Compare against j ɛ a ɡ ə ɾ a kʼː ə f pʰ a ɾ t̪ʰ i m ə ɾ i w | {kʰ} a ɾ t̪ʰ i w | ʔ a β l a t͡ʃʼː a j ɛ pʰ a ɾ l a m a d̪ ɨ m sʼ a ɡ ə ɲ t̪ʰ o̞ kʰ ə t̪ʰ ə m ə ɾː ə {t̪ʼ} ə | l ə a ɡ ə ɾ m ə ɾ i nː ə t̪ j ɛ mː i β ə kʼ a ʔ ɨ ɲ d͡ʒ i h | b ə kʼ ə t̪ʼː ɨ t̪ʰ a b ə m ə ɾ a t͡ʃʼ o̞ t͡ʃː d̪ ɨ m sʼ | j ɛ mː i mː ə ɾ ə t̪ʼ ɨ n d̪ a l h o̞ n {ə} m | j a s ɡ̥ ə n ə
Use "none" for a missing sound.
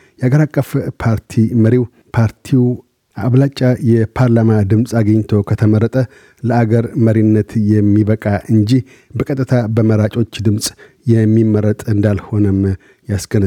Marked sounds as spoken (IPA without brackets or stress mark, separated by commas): pʰ, t̪ʼ, ə